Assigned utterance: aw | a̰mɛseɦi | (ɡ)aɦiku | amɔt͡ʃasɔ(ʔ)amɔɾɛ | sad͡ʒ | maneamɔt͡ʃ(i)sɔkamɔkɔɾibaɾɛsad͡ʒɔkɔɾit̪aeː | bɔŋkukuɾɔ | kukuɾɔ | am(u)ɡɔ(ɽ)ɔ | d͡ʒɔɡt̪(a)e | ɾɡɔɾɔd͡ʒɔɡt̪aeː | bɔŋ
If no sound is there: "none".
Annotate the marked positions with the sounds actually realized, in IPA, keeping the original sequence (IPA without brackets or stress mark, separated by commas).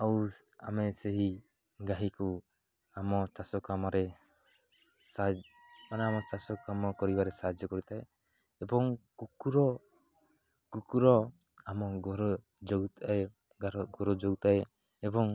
ɡ, k, a, ɔ, ɾ, a